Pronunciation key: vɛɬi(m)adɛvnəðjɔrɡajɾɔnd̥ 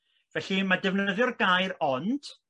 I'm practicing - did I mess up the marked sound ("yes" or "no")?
no